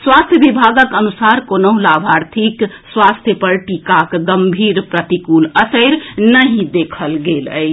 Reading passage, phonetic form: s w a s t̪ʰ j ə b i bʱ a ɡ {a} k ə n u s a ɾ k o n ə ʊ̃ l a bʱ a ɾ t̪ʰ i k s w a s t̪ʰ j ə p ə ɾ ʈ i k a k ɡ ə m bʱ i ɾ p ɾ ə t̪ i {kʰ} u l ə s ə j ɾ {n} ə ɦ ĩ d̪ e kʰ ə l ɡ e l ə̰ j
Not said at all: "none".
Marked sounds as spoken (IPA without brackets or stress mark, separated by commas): ə, k, n